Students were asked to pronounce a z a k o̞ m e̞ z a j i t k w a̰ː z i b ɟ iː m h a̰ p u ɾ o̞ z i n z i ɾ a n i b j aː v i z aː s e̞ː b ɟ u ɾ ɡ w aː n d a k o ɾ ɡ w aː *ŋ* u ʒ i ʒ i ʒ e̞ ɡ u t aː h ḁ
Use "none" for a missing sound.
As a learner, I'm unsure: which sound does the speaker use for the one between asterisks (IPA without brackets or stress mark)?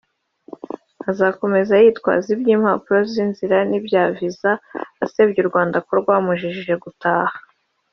m